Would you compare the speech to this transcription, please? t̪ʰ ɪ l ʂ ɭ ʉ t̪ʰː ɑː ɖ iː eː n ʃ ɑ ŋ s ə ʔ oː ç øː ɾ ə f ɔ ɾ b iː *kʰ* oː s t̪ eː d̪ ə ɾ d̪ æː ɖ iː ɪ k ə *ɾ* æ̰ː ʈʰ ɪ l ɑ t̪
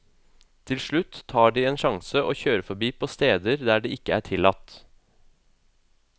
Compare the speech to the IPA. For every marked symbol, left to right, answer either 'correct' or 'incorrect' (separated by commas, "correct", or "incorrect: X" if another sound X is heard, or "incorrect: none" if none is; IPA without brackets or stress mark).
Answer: incorrect: pʰ, incorrect: none